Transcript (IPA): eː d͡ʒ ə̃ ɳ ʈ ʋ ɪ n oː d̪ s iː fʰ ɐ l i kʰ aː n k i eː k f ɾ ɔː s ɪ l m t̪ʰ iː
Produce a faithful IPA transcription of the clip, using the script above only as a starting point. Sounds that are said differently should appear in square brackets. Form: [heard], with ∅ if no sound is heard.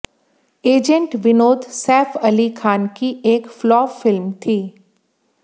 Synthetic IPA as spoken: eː d͡ʒ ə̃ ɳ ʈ ʋ ɪ n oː d̪ s [ɛː] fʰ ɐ l i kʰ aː n k i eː k f [l] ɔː [f] ɪ l m t̪ʰ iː